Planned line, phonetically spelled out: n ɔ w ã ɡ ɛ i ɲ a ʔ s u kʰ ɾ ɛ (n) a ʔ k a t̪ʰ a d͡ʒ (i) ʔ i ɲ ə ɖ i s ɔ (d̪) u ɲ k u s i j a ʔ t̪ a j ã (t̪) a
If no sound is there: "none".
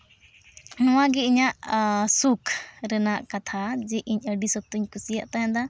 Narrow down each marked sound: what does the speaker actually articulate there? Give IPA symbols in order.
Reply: n, ɛ, t̪, d̪

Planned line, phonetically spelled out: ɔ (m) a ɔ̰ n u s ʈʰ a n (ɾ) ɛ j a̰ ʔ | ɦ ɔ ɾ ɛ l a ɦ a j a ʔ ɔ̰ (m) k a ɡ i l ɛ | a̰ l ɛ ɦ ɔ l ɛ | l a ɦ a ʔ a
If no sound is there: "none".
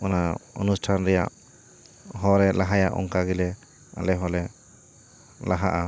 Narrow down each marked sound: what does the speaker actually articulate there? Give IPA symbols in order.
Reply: n, ɾ, ŋ

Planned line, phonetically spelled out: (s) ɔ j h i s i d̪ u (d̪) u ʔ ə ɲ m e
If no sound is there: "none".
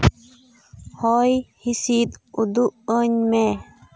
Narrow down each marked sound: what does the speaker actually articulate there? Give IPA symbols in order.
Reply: h, d̪

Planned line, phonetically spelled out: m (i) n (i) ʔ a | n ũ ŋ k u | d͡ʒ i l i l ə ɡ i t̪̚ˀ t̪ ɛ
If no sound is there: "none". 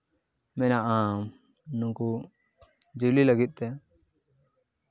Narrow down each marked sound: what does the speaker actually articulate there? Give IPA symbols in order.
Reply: ɛ, a

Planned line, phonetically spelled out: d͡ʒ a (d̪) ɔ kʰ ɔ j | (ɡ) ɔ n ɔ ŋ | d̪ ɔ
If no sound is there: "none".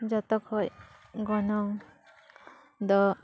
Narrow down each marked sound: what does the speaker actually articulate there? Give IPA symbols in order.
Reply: t̪, ɡ

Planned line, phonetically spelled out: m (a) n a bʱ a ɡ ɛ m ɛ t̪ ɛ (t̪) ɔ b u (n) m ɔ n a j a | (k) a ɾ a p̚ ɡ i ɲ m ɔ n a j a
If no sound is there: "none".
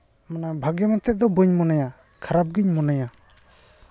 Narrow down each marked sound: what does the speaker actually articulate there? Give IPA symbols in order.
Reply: a, d̪, ɲ, kʰ

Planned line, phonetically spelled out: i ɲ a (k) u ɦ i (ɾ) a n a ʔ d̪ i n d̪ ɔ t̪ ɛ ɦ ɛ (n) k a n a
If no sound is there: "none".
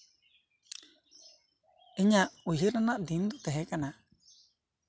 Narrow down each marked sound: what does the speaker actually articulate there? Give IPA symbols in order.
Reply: ʔ, ɾ, none

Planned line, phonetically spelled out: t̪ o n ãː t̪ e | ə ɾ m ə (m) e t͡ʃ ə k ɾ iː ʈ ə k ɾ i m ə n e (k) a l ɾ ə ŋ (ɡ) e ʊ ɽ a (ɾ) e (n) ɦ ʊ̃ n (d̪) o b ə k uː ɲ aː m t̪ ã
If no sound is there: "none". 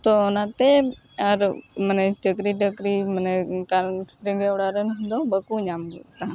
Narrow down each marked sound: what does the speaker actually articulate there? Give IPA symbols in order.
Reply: n, k, ɡ, ɾ, n, d̪

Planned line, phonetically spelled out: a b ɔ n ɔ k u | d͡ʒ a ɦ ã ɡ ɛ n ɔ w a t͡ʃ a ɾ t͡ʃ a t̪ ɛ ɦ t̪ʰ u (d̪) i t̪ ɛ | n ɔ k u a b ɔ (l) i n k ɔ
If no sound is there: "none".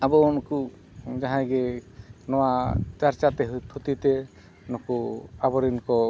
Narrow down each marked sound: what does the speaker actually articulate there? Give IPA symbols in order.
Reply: t̪, ɾ

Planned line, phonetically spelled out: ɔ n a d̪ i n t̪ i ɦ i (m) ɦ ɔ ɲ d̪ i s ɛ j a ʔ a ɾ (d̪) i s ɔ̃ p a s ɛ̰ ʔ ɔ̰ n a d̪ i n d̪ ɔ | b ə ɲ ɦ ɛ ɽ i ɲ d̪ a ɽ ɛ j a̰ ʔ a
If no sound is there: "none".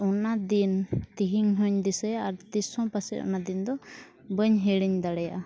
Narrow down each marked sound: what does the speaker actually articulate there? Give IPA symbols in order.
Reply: ŋ, t̪

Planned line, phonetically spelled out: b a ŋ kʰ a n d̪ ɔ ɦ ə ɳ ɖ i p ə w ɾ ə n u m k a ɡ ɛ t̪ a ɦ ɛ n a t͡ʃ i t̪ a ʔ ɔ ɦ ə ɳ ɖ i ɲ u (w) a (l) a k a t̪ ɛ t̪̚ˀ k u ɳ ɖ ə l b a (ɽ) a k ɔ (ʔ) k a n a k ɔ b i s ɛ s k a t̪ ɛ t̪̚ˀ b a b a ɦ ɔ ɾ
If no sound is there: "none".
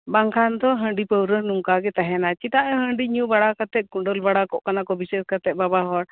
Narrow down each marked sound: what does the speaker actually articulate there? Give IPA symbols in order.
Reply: b, ɽ, ɽ, ʔ

